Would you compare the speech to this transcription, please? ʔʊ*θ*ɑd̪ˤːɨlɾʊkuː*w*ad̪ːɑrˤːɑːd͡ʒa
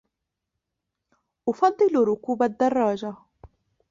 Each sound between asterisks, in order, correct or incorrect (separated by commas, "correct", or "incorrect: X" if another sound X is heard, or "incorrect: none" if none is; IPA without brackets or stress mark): incorrect: f, incorrect: b